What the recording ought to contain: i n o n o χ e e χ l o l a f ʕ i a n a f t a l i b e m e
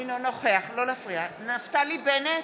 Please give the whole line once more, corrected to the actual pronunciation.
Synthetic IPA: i n o n o χ e a χ l o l a f ʁ i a n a f t a l i b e n e